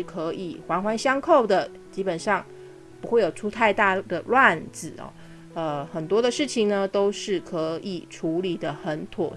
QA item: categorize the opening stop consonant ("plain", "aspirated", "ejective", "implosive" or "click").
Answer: aspirated